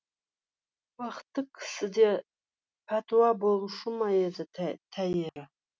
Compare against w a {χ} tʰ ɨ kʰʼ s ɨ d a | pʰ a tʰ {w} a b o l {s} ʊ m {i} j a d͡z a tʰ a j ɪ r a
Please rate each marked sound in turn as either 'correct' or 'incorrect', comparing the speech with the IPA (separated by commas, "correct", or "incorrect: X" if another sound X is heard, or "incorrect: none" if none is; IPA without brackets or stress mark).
correct, correct, incorrect: ʂ, incorrect: a